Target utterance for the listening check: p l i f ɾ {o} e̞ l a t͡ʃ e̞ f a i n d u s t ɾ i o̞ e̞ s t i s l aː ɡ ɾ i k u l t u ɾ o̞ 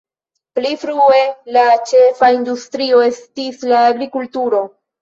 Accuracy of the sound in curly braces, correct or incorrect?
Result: incorrect